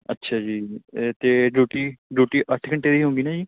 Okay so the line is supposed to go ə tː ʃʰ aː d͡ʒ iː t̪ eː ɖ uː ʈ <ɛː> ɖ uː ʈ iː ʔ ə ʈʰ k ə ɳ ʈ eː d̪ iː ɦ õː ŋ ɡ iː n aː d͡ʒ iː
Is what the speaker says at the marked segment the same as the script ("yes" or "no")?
no